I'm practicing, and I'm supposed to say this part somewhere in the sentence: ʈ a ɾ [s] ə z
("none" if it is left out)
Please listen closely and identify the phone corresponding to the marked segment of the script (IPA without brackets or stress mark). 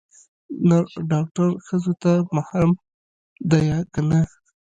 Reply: x